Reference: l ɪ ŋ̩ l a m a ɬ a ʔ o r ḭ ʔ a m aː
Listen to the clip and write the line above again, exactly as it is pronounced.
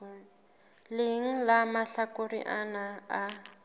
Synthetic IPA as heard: l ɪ ŋ̩ l a m a ɬ a k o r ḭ ʔ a n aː